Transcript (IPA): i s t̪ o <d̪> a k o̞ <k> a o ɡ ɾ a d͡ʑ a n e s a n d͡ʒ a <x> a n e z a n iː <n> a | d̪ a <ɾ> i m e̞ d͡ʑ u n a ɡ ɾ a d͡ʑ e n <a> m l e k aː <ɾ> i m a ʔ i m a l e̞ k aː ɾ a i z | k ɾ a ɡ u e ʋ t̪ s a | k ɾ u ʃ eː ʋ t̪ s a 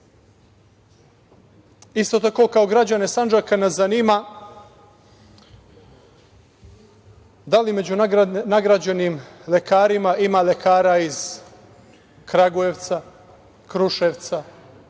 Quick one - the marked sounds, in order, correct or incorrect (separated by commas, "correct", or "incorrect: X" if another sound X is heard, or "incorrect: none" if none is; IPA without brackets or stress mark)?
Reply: incorrect: t̪, correct, incorrect: k, incorrect: m, incorrect: l, incorrect: i, correct